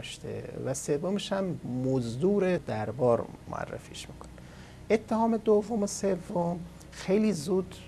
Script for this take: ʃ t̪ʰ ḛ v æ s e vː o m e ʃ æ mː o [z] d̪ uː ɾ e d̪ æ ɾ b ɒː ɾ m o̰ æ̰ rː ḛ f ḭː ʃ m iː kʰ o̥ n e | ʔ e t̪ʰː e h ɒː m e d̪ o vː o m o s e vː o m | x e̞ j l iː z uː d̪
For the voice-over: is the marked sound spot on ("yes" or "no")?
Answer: yes